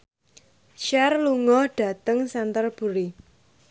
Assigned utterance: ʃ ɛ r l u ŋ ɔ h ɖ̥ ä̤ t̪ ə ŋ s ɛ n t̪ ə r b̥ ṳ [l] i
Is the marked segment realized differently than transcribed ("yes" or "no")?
yes